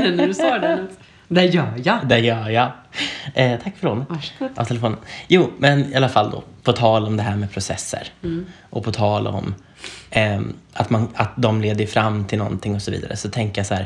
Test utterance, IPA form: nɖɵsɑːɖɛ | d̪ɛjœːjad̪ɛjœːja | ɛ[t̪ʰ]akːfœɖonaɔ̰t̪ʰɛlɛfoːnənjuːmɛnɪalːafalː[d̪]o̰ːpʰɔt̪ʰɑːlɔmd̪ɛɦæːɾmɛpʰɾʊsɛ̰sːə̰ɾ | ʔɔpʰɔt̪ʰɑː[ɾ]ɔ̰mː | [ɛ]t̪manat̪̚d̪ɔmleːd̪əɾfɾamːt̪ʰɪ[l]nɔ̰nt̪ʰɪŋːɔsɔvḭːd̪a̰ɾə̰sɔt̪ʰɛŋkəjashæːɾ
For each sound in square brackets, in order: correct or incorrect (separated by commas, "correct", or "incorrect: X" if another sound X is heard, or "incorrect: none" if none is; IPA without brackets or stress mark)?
correct, correct, incorrect: l, incorrect: a, correct